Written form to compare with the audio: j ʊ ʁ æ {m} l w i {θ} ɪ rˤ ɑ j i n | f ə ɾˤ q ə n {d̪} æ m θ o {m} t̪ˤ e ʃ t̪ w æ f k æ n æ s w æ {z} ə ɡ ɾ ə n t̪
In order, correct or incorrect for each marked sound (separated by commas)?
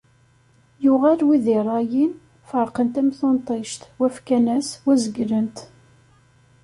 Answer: incorrect, incorrect, incorrect, incorrect, correct